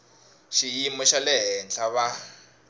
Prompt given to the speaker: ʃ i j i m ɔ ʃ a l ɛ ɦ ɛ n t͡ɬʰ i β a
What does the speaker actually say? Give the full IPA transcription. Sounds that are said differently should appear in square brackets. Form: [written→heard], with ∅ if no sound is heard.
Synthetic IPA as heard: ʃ i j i m ɔ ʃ a l ɛ ɦ ɛ n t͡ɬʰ [i→a] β a